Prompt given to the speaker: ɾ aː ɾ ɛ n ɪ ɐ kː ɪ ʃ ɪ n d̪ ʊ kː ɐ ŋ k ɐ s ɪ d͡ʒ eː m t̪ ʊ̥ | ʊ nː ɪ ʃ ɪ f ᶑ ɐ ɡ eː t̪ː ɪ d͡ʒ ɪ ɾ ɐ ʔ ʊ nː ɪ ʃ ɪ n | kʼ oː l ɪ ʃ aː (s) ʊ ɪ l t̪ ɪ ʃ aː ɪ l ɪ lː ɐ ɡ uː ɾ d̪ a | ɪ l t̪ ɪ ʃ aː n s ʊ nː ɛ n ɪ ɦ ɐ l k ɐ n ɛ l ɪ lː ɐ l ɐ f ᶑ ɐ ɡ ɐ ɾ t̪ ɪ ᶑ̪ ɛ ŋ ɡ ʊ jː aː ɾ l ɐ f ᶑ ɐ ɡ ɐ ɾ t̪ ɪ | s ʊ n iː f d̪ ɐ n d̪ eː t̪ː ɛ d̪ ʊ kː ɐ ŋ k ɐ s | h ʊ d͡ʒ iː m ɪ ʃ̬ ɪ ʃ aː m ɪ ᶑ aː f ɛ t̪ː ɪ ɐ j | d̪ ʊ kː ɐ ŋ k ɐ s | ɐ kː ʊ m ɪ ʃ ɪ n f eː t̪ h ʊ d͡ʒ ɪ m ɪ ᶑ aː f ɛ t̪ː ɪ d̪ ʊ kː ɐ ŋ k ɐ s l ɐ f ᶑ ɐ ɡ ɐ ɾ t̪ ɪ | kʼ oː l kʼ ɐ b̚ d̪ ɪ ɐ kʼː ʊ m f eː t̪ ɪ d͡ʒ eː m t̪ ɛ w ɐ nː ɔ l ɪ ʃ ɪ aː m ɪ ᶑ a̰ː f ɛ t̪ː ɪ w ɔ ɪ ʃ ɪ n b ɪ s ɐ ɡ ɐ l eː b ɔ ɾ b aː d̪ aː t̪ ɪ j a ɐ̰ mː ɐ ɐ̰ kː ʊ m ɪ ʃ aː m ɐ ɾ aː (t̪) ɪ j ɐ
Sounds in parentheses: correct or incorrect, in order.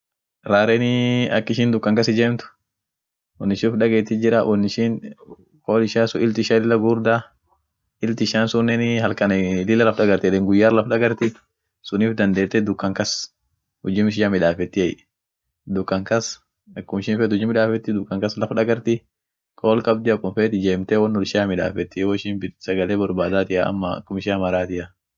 correct, correct

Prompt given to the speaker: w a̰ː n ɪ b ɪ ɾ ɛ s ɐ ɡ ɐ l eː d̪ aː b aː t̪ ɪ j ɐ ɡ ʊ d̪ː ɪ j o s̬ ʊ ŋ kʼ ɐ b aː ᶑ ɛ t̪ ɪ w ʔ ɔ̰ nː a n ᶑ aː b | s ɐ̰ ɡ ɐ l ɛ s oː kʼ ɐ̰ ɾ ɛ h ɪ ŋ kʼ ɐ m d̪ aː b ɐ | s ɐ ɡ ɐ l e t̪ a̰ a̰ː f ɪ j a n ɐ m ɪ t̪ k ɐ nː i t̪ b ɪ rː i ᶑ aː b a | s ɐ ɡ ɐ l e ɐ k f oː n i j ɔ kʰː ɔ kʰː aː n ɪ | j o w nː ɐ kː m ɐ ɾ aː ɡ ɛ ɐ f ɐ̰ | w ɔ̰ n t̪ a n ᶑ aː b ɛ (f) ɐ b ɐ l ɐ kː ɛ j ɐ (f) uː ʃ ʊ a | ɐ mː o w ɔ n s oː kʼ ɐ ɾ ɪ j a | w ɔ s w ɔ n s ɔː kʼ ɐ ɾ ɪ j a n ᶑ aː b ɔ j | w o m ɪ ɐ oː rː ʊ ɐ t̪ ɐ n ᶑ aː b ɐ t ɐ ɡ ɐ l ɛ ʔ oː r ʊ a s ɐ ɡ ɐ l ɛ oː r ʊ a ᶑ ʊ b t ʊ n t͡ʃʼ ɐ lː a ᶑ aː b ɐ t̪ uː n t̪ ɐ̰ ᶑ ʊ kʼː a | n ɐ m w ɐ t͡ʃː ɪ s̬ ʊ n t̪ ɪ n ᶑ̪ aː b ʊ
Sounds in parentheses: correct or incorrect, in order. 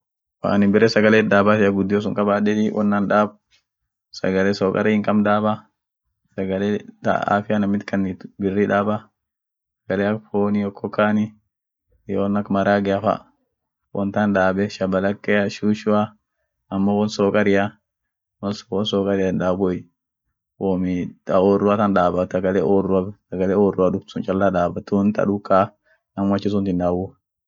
incorrect, incorrect

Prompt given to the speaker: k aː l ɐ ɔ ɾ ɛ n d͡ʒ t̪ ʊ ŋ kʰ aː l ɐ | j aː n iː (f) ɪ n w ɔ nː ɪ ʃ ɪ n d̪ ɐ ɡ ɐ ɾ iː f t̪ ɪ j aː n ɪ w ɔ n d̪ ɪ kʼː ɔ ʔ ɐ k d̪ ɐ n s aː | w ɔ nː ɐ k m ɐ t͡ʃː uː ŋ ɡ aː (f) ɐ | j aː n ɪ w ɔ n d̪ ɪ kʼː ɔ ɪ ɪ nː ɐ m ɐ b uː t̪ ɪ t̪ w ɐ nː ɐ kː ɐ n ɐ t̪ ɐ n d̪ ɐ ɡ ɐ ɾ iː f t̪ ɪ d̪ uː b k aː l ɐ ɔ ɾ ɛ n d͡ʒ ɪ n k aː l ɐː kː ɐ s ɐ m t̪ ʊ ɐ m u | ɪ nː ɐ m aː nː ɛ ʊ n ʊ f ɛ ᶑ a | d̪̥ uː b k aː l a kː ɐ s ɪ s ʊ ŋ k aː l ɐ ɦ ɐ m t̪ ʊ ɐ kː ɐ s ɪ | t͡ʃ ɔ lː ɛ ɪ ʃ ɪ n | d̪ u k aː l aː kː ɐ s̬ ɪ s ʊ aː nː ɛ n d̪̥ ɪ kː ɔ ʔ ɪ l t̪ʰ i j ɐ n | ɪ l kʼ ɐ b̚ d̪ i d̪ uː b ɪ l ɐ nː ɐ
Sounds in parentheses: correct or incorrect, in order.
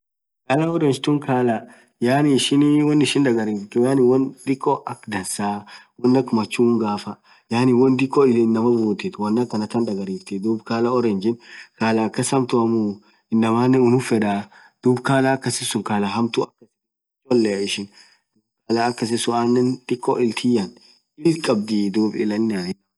incorrect, correct

